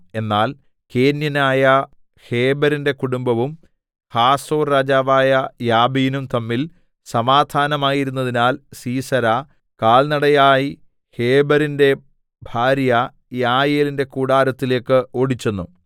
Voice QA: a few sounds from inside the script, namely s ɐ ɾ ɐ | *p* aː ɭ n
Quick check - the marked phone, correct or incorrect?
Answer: incorrect: k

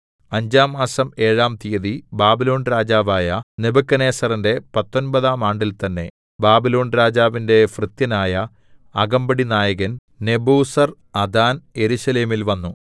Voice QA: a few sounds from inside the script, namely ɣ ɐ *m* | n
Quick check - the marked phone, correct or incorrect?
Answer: incorrect: n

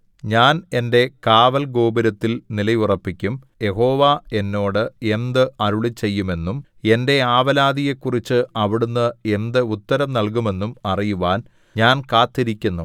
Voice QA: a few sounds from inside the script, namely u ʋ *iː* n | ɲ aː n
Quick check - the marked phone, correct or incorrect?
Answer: incorrect: aː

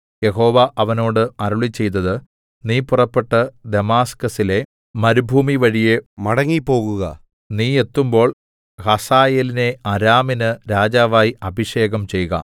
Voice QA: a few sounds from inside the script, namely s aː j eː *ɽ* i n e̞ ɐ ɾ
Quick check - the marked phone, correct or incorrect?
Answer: incorrect: l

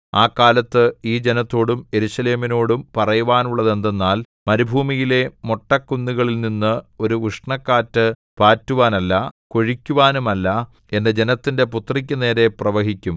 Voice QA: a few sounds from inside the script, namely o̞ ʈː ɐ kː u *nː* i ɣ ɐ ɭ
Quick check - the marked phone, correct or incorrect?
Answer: correct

